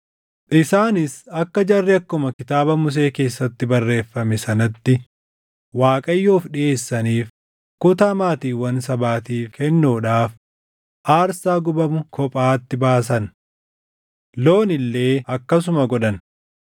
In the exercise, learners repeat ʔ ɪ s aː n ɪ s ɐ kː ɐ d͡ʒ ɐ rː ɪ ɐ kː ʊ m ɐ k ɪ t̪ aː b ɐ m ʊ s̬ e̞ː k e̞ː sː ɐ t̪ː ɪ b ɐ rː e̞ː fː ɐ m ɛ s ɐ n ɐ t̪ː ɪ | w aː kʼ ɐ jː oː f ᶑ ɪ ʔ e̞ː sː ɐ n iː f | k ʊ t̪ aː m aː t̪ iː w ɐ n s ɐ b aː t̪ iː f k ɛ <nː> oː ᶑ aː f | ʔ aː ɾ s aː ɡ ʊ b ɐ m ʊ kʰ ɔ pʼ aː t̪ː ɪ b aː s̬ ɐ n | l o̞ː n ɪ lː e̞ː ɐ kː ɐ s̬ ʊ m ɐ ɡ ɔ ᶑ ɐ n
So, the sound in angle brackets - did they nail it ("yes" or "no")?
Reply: yes